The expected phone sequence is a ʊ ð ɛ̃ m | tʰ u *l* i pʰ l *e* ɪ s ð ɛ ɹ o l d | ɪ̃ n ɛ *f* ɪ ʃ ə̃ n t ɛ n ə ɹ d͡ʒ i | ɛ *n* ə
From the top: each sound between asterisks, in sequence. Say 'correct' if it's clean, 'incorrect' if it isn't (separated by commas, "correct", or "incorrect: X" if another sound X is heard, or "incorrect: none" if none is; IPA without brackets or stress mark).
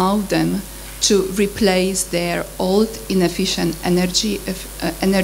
incorrect: ɹ, correct, correct, correct